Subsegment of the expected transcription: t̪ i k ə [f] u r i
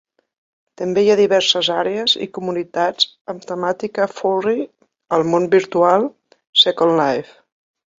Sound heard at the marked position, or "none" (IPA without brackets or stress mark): f